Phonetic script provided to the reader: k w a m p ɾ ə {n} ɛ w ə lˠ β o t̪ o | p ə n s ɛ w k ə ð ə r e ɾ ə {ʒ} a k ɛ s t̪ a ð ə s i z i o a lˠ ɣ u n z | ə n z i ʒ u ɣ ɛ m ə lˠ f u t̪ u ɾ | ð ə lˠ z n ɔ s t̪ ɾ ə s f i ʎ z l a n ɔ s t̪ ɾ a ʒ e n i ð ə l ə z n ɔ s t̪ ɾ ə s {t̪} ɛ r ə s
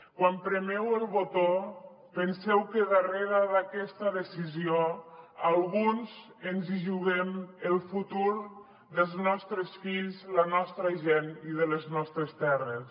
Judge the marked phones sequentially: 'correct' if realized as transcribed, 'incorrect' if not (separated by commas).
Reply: incorrect, incorrect, correct